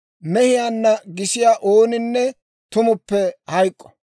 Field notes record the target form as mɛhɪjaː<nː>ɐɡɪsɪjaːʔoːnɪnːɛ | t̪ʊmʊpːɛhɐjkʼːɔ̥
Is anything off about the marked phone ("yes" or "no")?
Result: no